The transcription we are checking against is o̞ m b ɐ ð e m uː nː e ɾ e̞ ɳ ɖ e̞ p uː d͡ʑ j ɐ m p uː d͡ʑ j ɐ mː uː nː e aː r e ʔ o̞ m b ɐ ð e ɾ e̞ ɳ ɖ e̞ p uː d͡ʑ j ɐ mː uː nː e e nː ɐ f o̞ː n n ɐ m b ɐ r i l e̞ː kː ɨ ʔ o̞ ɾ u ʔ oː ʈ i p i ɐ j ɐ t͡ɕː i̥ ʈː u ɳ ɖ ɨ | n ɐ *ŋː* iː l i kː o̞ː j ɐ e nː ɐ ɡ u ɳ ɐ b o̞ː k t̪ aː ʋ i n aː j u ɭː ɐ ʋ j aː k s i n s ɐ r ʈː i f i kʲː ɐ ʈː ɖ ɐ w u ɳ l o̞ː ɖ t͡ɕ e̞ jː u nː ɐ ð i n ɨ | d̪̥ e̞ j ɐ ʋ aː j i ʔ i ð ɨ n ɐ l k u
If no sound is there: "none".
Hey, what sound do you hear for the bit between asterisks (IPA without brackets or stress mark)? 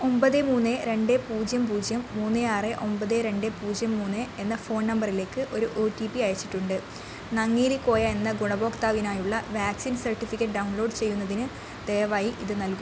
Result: ŋː